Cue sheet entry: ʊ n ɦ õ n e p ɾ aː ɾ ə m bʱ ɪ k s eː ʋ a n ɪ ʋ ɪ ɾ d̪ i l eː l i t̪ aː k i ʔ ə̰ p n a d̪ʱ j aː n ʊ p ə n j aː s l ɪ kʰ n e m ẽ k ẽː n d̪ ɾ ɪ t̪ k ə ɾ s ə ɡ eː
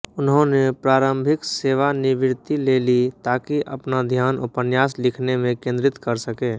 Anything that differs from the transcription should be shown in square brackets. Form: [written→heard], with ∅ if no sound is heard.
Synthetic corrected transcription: ʊ n ɦ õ n e p ɾ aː ɾ ə m bʱ ɪ k s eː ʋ a n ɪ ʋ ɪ ɾ [d̪→t̪] i l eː l i t̪ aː k i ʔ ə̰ p n a d̪ʱ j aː n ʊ p ə n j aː s l ɪ kʰ n e m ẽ k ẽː n d̪ ɾ ɪ t̪ k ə ɾ s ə [ɡ→k] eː